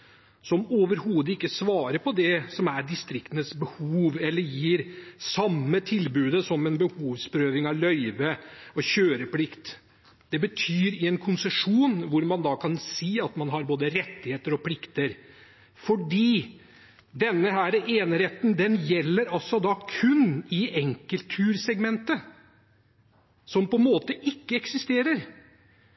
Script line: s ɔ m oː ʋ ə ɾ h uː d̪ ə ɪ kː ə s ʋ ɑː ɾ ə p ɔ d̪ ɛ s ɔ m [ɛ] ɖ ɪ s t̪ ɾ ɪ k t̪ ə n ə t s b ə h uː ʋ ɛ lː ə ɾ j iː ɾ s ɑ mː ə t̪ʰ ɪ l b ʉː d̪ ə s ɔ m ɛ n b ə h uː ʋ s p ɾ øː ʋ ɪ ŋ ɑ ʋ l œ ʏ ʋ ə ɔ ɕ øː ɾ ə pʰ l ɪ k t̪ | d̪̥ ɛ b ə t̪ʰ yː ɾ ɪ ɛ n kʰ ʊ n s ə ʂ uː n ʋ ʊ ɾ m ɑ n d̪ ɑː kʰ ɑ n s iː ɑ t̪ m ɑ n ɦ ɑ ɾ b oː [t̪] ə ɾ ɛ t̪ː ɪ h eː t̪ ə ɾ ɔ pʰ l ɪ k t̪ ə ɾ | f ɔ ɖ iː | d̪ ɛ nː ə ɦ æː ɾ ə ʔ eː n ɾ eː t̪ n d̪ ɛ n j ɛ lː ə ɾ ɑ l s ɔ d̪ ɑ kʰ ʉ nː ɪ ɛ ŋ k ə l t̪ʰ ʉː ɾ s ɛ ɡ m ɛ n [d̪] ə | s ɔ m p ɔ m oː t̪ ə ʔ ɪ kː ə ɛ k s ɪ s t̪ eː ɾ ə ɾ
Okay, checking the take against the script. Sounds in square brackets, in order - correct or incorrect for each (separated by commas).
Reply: incorrect, incorrect, incorrect